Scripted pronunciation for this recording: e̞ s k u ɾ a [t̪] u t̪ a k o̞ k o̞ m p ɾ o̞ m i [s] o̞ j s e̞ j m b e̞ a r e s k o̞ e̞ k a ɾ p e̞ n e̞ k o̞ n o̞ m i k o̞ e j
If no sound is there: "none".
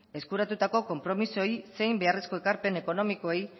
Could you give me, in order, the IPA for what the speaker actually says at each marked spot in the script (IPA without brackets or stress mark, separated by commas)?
t̪, s